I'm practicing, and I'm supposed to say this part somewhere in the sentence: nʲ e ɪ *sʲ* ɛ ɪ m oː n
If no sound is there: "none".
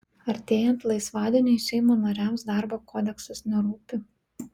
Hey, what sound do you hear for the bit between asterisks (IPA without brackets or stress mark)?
ʃʲ